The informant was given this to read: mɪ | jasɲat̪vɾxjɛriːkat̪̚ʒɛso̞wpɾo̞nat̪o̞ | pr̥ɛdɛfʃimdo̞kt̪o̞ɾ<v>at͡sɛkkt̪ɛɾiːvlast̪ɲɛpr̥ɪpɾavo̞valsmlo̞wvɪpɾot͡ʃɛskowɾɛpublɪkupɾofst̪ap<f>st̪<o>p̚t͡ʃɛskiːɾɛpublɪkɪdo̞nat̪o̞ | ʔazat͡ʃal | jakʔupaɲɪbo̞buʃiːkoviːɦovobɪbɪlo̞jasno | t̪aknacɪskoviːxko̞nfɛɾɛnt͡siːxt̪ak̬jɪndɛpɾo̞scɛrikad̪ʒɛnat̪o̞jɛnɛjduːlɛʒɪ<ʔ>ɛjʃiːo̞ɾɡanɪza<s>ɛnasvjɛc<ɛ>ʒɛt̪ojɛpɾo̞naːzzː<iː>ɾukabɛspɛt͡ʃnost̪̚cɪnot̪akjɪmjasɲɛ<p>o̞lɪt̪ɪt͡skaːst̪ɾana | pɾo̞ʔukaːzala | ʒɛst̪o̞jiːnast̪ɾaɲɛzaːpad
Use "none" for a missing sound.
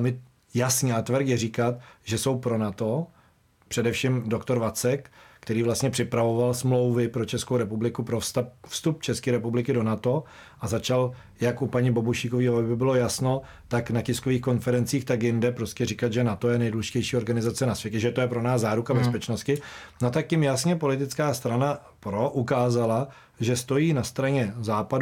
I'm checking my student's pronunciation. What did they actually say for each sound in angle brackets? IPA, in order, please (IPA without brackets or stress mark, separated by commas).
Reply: v, f, u, c, t͡s, ɛ, aː, p